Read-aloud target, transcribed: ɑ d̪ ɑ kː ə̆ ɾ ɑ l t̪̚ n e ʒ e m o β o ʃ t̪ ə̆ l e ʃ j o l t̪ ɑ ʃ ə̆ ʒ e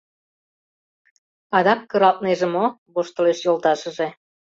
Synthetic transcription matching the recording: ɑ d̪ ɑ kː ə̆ ɾ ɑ l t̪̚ n e ʒ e m o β o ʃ t̪ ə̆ l e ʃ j o l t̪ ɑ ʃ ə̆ ʒ e

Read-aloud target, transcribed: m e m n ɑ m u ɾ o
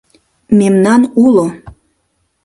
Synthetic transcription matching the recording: m e m n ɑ n u l o

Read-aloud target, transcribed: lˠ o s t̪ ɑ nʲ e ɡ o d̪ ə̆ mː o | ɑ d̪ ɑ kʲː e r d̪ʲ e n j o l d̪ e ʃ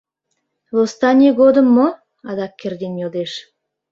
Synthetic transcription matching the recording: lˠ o s t̪ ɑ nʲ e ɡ o d̪ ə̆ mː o | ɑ d̪ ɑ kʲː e r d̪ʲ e n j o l d̪ e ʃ

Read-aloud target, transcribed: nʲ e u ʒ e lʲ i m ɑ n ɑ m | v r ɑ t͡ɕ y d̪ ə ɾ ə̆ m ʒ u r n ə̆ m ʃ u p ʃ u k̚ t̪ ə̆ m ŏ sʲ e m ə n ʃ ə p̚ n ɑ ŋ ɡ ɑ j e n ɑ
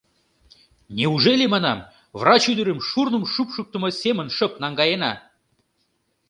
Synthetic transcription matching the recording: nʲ e u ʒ e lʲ e m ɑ n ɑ m | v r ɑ t͡ɕ y d̪ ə ɾ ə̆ m ʃ u r n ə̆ m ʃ u p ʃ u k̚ t̪ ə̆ m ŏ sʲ e m ə n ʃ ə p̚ n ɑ ŋ ɡ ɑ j e n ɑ

